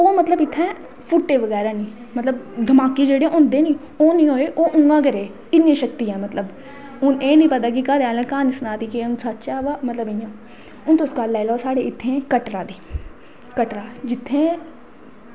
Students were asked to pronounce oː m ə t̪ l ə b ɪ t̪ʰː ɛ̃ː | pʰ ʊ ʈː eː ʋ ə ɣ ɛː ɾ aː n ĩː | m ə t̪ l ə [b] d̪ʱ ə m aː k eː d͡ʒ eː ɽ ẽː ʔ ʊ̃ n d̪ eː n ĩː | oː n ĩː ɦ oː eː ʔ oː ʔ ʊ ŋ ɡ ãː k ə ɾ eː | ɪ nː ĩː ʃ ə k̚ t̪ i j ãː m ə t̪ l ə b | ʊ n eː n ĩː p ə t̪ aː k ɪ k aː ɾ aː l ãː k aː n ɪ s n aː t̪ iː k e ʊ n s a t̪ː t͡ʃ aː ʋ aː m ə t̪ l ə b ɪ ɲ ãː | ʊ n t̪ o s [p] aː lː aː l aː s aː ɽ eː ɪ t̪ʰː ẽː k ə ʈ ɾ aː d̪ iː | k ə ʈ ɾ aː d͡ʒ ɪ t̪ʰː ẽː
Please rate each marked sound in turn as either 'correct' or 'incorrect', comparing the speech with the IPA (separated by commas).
correct, incorrect